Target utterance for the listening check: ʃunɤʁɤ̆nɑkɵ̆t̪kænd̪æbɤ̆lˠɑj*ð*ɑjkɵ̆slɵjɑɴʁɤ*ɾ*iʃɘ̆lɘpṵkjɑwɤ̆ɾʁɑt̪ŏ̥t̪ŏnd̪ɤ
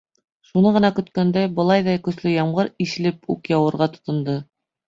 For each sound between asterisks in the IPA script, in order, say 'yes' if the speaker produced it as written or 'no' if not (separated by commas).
yes, yes